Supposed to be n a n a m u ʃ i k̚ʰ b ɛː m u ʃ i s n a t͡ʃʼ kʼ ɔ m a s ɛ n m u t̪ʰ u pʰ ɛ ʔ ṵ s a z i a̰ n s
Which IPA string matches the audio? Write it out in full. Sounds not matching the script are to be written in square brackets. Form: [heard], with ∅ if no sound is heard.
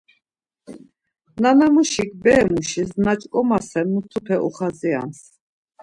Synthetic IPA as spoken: n a n a m u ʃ i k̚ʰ b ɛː m u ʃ i s n a t͡ʃʼ kʼ ɔ m a s ɛ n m u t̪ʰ u pʰ ɛ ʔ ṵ [χ] a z i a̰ n s